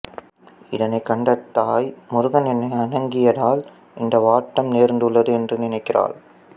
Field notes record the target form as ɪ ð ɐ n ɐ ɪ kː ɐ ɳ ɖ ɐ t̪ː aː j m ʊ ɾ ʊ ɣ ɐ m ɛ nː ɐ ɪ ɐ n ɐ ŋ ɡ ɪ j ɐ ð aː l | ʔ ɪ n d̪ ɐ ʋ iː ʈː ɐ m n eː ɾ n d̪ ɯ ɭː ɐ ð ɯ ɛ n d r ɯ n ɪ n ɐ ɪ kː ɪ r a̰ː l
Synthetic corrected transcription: ɪ ð ɐ n ɐ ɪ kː ɐ ɳ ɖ ɐ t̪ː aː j m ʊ ɾ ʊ ɣ ɐ n ɛ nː ɐ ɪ ɐ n ɐ ŋ ɡ ɪ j ɐ ð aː l | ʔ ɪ n d̪ ɐ ʋ aː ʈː ɐ m n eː ɾ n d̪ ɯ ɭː ɐ ð ɯ ɛ n d r ɯ n ɪ n ɐ ɪ kː ɪ r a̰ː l